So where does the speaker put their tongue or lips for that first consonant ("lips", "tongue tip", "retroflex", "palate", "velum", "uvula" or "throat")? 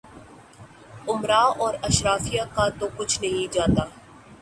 lips